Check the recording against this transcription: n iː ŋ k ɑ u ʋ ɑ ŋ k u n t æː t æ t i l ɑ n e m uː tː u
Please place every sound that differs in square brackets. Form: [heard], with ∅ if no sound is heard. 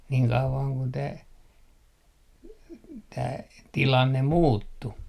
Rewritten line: n iː ŋ k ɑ u ʋ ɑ ŋ k u n t æː t [æː] t i l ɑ [nː] e m uː tː u